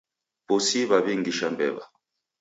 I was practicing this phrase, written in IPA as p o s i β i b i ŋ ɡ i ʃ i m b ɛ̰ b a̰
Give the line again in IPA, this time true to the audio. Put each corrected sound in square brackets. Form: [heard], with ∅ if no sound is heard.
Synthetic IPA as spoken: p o s i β [a] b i ŋ ɡ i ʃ [a] m b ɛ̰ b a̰

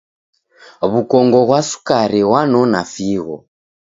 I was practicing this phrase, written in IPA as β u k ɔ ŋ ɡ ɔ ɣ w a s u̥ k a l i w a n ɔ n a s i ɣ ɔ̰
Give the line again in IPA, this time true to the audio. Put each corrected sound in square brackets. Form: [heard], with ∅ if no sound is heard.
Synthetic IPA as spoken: β u k ɔ ŋ ɡ ɔ ɣ w a s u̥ k a [ɾ] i w a n ɔ n a [f] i ɣ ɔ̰

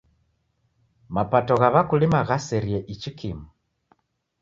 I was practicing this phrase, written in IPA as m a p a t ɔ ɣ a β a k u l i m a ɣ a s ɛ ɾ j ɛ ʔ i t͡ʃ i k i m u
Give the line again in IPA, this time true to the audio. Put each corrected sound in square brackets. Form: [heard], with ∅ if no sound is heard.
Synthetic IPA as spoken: m a p a t ɔ ɣ a β a k u l i m a ɣ a s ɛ ɾ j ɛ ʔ i t͡ʃ i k i m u

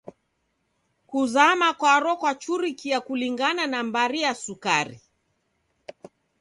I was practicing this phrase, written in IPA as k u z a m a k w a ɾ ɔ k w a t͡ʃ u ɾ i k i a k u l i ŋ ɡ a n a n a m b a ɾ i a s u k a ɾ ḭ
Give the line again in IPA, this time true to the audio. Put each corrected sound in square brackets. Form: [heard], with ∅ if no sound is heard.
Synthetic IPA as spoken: k u z a m a k w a ɾ ɔ k w a t͡ʃ u ɾ i k i a k u l i ŋ ɡ a n a n a m b a ɾ i a s u k a ɾ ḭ

